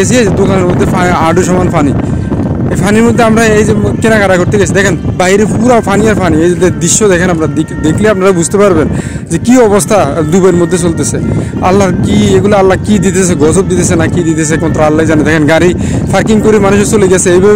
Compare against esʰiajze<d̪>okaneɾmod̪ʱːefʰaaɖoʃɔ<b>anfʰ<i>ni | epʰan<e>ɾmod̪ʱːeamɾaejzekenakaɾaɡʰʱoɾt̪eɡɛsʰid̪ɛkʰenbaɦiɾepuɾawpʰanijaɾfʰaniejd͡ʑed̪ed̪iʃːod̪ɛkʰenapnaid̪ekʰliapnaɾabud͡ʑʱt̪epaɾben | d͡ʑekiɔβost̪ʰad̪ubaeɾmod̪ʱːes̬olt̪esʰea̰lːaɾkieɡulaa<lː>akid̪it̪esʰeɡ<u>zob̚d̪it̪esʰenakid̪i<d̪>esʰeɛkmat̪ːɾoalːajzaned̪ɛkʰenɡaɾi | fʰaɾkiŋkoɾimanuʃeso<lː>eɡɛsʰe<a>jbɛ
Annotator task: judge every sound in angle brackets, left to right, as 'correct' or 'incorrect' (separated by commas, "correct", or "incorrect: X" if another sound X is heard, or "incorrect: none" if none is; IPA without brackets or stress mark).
correct, incorrect: m, incorrect: a, incorrect: i, correct, incorrect: ɔ, incorrect: t̪, incorrect: l, incorrect: e